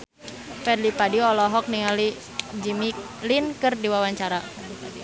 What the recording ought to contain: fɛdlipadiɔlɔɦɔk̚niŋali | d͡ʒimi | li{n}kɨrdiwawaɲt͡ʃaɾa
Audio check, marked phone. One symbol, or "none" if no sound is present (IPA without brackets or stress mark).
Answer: n